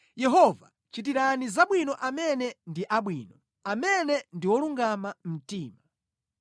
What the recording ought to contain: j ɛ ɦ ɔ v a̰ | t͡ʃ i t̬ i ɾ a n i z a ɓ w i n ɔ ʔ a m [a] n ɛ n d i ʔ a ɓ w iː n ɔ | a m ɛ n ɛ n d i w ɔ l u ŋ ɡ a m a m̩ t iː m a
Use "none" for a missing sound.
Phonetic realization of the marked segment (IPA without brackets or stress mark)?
ɛ